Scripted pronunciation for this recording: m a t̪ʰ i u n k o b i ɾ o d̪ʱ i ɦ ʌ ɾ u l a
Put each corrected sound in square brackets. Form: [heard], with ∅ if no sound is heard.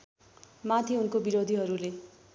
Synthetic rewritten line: m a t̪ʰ i u n k o b i ɾ o d̪ʱ i ɦ ʌ ɾ u l [e]

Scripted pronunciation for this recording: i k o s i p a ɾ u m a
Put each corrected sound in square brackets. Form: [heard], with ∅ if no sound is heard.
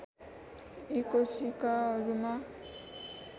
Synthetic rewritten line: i k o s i [k] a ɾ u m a

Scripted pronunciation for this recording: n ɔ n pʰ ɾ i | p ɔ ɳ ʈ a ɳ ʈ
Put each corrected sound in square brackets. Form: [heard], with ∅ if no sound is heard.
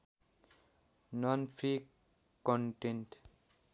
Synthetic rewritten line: n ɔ n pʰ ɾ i | [k] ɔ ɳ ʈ [e] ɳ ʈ

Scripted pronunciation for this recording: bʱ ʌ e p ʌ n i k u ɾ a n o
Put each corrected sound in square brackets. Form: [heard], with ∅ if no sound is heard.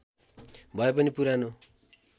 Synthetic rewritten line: bʱ ʌ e p ʌ n i [p] u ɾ a n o

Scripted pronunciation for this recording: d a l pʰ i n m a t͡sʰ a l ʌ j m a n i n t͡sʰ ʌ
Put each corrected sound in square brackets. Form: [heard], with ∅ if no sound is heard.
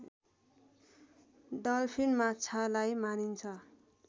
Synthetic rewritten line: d [ʌ] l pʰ i n m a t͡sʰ a l [a] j m a n i n t͡sʰ ʌ

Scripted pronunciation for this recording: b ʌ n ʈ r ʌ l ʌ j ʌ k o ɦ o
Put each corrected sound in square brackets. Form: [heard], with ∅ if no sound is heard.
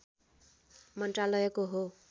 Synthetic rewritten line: [m] ʌ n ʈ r [a] l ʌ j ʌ k o ɦ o

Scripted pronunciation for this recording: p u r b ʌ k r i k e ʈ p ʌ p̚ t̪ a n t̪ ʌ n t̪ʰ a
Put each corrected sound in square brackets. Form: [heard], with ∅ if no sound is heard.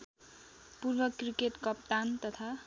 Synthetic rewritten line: p u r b ʌ k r i k e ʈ [k] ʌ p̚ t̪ a n t̪ ʌ [∅] t̪ʰ a

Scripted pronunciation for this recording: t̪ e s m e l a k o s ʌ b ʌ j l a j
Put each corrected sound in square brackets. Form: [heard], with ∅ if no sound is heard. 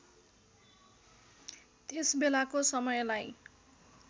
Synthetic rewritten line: t̪ e s [b] e l a k o s ʌ [m] ʌ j l a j

